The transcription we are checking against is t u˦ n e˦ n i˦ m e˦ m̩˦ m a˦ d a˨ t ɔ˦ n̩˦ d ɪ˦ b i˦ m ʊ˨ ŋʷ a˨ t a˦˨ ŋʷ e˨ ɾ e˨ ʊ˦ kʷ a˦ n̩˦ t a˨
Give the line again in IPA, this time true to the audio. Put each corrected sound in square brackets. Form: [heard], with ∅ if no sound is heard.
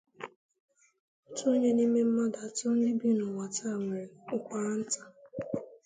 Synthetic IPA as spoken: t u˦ [ɲ] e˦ n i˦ m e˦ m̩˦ m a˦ d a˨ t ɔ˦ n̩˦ d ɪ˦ b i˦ [n] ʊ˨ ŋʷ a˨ t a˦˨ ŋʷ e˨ ɾ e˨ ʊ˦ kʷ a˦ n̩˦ t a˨